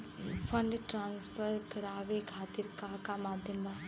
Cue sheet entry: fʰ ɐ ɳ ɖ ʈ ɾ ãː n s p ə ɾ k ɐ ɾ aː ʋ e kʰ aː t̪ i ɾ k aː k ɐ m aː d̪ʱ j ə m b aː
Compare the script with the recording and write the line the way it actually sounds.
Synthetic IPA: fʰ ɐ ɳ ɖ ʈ ɾ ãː n s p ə ɾ k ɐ ɾ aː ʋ e kʰ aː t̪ i ɾ k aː k a m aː d̪ʱ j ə m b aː